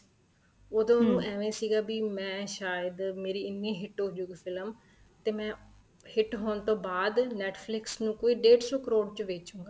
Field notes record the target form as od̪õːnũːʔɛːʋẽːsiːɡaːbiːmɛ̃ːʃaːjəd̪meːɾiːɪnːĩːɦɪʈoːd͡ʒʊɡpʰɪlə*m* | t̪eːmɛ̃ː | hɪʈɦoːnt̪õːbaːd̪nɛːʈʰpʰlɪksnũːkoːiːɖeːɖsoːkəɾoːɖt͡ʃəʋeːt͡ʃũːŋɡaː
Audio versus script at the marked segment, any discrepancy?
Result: no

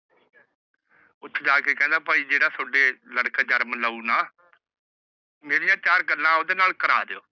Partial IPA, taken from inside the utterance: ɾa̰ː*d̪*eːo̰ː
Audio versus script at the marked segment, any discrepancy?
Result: no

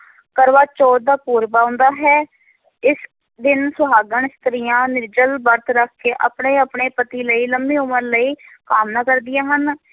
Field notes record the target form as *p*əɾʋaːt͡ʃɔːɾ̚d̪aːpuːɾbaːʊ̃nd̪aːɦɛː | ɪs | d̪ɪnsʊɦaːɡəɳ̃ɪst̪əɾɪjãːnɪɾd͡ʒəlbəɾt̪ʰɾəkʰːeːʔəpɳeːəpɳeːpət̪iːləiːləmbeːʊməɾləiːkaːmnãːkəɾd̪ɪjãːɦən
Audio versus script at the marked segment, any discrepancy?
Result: yes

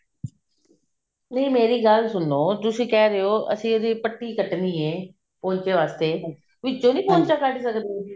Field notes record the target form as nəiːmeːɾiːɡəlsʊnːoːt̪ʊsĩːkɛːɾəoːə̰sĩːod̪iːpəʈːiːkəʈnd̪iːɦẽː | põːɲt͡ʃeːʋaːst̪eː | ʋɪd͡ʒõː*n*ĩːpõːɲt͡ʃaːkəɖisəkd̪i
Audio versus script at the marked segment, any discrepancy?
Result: no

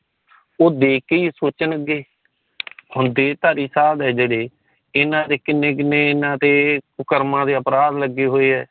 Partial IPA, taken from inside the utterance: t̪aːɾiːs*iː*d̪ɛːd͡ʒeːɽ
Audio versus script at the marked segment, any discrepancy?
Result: yes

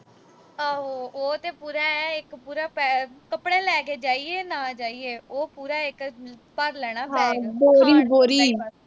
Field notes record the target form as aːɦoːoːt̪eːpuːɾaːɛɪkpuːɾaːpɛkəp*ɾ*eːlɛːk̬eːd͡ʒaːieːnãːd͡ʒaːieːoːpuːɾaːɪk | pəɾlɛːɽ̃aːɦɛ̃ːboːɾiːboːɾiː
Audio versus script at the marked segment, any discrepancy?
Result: yes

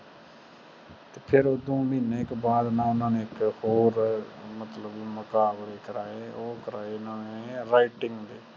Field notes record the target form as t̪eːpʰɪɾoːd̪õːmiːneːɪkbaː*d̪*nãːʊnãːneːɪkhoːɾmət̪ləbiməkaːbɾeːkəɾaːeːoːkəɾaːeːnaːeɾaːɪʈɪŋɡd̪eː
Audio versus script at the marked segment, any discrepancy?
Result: no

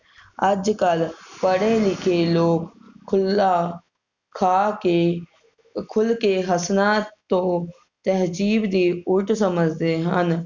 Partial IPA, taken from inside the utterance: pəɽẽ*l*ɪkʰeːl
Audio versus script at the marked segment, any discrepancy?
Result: no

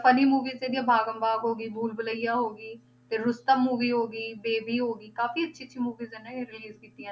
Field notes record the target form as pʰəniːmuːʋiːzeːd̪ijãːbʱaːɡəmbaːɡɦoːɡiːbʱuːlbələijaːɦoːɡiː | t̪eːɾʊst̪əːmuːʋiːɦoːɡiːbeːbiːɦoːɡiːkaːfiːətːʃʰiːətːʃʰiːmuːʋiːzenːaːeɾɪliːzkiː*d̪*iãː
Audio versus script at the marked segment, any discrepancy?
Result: yes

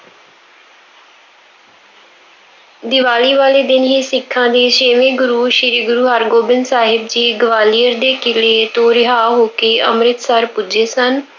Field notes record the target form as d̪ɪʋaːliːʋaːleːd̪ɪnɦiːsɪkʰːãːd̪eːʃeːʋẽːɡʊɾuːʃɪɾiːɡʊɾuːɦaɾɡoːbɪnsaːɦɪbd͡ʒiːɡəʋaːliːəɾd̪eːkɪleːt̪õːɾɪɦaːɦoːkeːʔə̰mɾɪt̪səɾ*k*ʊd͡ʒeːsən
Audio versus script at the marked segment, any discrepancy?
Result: yes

